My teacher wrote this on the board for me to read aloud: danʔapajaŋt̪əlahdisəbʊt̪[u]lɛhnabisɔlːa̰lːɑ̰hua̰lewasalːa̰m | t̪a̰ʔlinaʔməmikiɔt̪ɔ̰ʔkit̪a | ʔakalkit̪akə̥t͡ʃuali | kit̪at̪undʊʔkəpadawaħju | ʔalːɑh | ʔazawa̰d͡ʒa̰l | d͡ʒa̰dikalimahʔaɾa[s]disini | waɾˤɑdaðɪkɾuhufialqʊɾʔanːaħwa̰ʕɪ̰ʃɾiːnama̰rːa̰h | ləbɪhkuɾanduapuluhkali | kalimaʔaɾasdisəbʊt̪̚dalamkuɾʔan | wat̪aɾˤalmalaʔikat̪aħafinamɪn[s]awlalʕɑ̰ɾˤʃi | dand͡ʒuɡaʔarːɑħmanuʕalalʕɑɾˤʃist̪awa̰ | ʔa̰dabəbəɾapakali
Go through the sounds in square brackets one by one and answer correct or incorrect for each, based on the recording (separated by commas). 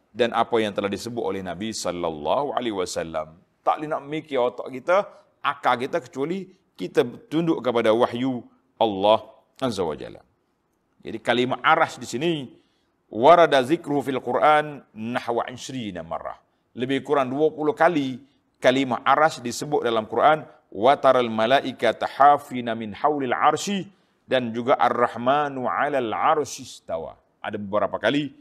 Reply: incorrect, correct, incorrect